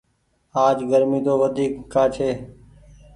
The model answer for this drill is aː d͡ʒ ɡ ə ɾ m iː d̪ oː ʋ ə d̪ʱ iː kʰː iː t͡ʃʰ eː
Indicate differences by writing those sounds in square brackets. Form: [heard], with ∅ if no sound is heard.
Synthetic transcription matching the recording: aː d͡ʒ ɡ ə ɾ m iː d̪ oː ʋ ə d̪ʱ iː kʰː [aː] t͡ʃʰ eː